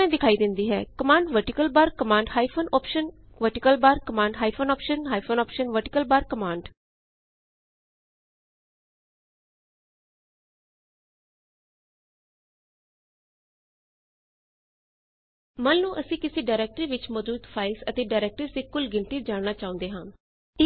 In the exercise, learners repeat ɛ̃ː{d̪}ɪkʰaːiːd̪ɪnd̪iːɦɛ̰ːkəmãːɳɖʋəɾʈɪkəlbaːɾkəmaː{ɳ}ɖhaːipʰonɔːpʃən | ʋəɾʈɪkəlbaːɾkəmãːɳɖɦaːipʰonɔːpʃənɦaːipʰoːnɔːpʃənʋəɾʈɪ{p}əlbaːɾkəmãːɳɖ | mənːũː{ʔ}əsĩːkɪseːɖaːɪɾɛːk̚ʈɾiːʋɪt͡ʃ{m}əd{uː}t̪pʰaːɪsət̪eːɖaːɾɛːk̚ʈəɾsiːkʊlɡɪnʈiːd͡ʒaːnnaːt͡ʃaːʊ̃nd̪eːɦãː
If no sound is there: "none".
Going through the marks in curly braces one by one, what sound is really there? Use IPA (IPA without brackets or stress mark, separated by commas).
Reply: d̪, ɳ, k, ʔ, m, uː